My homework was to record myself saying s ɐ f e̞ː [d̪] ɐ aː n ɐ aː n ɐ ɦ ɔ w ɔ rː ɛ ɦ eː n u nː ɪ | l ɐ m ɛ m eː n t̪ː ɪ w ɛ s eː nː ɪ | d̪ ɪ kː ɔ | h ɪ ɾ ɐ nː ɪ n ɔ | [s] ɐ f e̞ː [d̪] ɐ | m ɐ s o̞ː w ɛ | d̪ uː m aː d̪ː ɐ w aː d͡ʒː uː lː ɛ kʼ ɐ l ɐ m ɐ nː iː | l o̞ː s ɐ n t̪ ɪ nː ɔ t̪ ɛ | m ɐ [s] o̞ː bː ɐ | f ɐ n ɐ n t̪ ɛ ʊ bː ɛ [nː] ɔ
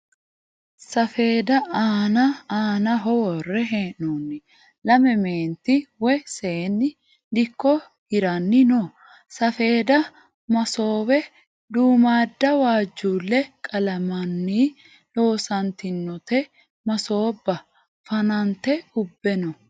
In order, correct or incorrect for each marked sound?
correct, correct, correct, correct, incorrect: n

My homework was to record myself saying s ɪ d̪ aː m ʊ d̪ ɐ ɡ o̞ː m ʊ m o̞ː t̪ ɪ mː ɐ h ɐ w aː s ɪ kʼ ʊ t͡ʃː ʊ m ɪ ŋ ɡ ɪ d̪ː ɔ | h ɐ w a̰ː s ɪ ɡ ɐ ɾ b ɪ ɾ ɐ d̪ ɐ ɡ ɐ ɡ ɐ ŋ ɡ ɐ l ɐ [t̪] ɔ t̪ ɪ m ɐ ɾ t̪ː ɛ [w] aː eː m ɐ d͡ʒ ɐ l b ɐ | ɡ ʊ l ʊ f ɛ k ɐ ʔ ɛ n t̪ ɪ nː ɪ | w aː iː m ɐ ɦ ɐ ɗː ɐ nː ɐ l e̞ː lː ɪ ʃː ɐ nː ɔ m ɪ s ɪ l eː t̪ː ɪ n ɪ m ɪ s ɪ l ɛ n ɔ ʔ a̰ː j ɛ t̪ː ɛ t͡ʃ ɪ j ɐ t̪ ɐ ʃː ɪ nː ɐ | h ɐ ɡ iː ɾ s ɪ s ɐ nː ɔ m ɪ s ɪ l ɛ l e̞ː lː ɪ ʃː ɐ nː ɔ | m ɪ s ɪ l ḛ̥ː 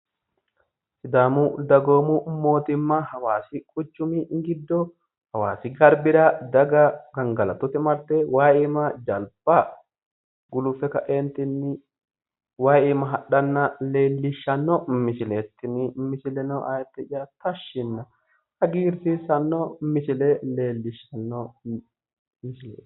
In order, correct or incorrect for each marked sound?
correct, correct

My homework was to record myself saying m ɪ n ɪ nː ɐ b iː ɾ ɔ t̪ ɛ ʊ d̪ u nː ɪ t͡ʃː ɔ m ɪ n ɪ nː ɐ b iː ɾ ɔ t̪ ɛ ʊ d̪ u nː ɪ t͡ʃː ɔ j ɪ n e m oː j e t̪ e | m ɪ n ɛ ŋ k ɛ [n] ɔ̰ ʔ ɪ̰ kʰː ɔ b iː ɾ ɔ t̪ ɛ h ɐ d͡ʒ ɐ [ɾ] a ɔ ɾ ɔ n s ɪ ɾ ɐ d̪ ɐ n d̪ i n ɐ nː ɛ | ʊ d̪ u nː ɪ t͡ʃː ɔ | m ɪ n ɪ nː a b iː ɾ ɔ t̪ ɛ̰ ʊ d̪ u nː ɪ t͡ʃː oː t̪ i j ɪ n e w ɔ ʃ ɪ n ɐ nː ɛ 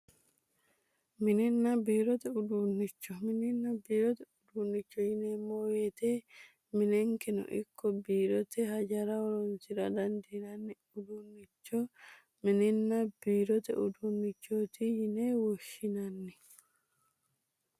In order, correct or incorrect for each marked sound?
correct, correct

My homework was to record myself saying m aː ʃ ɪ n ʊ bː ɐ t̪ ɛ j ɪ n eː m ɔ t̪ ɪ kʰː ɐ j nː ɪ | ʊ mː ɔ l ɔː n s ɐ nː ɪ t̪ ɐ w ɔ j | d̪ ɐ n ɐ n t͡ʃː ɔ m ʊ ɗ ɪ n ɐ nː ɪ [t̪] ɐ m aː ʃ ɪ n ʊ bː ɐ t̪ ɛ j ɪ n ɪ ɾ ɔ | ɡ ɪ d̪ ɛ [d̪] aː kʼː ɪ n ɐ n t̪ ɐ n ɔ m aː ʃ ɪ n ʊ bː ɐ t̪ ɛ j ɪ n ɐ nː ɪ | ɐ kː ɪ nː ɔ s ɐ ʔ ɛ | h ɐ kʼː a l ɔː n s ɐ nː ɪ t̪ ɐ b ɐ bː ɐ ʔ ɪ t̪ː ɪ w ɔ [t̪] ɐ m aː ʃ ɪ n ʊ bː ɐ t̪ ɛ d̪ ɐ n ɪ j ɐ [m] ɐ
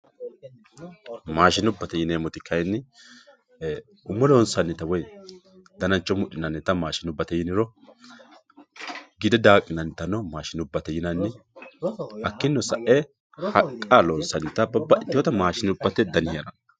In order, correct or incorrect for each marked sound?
correct, correct, correct, incorrect: n

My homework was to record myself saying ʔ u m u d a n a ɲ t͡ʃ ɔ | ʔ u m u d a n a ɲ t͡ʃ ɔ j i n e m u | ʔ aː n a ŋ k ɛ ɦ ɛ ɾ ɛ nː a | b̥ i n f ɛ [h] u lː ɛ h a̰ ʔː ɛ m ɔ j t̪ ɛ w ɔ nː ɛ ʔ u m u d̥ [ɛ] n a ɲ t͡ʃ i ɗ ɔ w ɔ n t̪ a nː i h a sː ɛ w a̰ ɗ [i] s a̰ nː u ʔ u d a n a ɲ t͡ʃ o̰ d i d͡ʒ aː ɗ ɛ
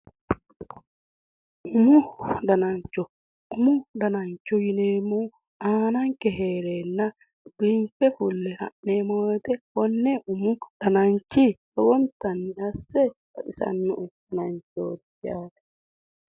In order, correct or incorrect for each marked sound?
incorrect: f, incorrect: a, correct

